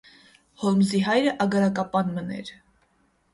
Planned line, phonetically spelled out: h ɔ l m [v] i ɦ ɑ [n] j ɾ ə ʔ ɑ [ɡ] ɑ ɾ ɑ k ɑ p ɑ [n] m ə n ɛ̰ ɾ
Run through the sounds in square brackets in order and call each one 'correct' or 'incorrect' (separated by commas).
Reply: incorrect, incorrect, correct, correct